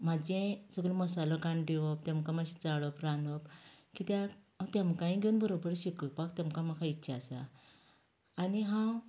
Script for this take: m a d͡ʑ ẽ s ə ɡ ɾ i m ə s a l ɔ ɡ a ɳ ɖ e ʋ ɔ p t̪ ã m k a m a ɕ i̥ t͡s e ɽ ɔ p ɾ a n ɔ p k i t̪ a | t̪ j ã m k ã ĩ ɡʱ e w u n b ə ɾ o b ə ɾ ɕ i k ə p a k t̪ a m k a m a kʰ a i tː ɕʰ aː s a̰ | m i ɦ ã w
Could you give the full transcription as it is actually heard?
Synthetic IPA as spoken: m a d͡ʑ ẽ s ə ɡ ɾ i m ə s a l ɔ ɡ a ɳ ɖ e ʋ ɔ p t̪ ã m k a m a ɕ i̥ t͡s a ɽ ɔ p ɾ a n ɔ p k i t̪ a | t̪ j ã m k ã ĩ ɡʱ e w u n b ə ɾ o b ə ɾ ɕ i k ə p a k t̪ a m k a m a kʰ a i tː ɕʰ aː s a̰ | n i ɦ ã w